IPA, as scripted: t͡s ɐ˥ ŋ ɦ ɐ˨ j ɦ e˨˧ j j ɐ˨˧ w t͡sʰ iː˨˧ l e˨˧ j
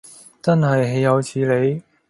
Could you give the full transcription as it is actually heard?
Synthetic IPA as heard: t͡s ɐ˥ n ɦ ɐ˨ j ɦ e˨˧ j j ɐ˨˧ w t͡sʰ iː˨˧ l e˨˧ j